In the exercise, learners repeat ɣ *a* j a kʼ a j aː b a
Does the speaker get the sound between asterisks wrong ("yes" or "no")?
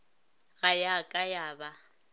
no